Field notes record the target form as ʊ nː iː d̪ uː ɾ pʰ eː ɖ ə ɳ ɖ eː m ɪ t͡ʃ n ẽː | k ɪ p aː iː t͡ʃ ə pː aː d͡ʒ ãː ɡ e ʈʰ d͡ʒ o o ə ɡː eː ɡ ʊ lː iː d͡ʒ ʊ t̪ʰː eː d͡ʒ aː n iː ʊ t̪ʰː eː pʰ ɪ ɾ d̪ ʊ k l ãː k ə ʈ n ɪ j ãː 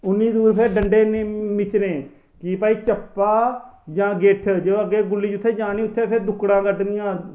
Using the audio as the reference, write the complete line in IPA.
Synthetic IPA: ʊ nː iː d̪ uː ɾ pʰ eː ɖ ə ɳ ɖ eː m ɪ t͡ʃ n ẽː | k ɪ p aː iː t͡ʃ ə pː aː d͡ʒ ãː ɡ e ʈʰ d͡ʒ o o ə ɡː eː ɡ ʊ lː iː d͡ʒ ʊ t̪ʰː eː d͡ʒ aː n iː ʊ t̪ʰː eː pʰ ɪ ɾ d̪ ʊ k ɽ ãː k ə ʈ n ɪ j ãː